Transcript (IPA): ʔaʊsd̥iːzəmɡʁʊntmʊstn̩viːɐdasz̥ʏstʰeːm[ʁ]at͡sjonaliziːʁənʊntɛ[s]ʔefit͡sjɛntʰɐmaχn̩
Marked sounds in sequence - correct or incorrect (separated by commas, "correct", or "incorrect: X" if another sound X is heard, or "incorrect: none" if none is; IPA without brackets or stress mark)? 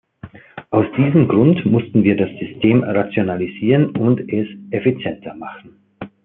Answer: correct, correct